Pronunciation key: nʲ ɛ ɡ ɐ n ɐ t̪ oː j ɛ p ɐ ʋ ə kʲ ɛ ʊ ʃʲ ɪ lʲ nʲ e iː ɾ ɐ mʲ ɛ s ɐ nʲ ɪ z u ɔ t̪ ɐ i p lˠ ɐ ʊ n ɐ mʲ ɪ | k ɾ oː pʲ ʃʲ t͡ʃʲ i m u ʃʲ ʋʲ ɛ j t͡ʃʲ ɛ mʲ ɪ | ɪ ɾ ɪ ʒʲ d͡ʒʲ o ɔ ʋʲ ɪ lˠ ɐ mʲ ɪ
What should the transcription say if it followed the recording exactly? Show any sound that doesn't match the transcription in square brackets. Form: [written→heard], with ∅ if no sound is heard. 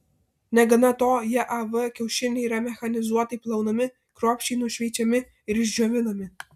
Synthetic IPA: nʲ ɛ ɡ ɐ n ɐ t̪ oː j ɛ [p→ʔ] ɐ ʋ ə kʲ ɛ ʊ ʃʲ ɪ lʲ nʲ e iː ɾ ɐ mʲ ɛ [s→x] ɐ nʲ ɪ z u ɔ t̪ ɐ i p lˠ ɐ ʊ n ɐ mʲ ɪ | k ɾ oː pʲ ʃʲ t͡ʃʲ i [m→n] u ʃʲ ʋʲ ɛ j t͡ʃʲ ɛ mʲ ɪ | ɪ ɾ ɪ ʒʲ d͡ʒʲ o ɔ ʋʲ ɪ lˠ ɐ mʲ ɪ